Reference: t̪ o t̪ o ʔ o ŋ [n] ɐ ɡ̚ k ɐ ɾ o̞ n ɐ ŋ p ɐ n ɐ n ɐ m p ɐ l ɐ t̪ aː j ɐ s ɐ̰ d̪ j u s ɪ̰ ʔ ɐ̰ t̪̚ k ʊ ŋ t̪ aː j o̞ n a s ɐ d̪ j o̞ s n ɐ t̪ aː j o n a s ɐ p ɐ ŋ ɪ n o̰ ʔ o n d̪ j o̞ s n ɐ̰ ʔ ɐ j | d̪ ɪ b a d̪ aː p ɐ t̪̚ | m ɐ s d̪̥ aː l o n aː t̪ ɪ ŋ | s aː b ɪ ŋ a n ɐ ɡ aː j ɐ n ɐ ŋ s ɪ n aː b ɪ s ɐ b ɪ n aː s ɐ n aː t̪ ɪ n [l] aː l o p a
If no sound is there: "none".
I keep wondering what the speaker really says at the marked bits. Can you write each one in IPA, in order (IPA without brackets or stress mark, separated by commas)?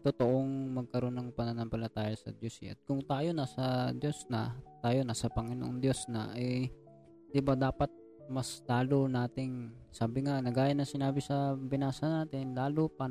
m, l